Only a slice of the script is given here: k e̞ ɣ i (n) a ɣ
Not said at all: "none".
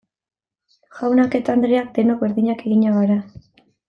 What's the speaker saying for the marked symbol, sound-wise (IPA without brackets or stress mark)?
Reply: ɲ